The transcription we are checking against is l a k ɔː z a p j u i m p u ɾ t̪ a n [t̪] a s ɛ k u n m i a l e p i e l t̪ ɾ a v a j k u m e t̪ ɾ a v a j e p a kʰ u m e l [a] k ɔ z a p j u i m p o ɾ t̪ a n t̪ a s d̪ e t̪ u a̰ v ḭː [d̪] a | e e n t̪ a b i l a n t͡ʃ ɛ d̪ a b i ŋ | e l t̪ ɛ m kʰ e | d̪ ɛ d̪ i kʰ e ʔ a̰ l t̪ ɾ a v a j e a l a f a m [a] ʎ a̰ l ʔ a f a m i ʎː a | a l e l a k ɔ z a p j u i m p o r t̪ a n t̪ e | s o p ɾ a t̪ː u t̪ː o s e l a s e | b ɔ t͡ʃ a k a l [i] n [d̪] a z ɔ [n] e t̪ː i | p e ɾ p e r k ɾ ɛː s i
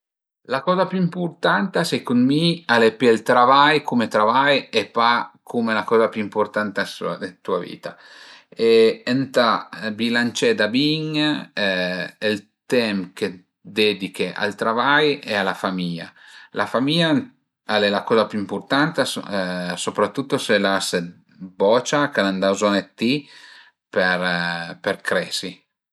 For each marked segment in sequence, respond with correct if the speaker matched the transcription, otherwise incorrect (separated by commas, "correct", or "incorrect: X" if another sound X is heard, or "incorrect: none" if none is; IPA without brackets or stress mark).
correct, correct, incorrect: t̪, incorrect: i, incorrect: a, correct, correct